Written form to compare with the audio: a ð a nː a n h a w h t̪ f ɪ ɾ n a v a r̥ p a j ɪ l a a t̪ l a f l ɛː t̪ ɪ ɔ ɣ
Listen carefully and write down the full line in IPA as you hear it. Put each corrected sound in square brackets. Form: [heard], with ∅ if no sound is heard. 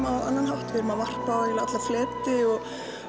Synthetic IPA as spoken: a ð a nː a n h a w h t̪ [v] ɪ ɾ [m] a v a r̥ p a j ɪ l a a t̪ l a f l ɛː t̪ ɪ ɔ ɣ